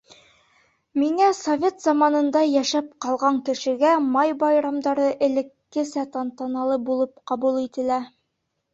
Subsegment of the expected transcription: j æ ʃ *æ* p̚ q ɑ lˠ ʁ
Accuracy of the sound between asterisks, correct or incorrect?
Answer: correct